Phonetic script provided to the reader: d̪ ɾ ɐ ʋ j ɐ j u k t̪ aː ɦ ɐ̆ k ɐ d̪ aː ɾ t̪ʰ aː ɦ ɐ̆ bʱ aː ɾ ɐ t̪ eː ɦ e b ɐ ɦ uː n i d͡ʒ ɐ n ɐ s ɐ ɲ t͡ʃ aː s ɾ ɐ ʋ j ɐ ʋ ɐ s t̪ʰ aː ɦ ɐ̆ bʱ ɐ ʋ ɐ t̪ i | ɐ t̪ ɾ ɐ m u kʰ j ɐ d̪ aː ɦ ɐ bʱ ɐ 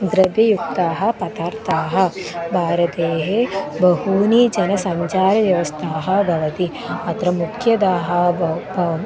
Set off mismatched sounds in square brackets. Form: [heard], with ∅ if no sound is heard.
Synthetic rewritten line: d̪ ɾ ɐ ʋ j ɐ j u k t̪ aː ɦ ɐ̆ [p] ɐ [t̪] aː ɾ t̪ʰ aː ɦ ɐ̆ bʱ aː ɾ ɐ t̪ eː ɦ e b ɐ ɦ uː n i d͡ʒ ɐ n ɐ s ɐ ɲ t͡ʃ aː [∅] ɾ ɐ ʋ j ɐ ʋ ɐ s t̪ʰ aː ɦ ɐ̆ bʱ ɐ ʋ ɐ t̪ i | ɐ t̪ ɾ ɐ m u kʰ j ɐ d̪ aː ɦ ɐ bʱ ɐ